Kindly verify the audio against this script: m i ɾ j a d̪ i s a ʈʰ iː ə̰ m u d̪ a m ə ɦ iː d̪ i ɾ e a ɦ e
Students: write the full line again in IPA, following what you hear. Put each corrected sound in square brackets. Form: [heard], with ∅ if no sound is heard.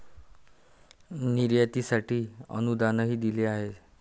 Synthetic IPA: [n] i ɾ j a [t̪] i s a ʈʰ iː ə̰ [n] u d̪ a [n] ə ɦ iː d̪ i [l] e a ɦ e